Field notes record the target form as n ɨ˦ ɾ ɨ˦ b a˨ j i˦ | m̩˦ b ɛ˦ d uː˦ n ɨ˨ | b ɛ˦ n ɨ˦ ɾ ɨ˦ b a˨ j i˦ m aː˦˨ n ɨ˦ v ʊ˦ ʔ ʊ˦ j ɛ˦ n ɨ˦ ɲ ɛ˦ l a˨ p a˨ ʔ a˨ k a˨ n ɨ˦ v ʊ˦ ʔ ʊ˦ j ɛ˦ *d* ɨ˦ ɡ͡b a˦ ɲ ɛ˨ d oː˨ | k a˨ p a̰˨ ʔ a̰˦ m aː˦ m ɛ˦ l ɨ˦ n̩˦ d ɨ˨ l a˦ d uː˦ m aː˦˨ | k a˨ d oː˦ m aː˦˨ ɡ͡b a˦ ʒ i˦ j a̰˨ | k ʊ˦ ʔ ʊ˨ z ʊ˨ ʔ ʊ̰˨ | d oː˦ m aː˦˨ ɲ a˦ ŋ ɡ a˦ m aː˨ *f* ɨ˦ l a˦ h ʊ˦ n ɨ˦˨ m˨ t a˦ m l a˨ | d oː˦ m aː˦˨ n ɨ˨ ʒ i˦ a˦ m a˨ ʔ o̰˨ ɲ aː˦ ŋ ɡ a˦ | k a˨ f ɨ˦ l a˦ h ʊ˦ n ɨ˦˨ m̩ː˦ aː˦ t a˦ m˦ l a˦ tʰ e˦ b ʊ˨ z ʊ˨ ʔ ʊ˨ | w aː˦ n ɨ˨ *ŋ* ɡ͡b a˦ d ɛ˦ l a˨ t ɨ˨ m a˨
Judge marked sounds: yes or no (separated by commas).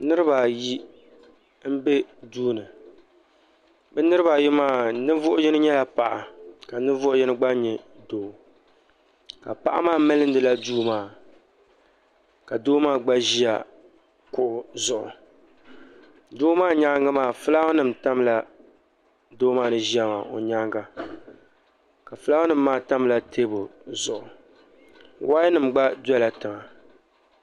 no, yes, no